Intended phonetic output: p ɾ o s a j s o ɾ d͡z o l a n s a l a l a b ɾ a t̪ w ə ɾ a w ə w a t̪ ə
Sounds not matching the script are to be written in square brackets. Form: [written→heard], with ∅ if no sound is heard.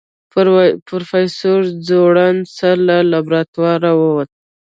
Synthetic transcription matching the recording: p ɾ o [s→f] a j s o ɾ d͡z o [l→ɽ] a n s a l a l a b ɾ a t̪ w [ə→ɑ] ɾ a w ə w a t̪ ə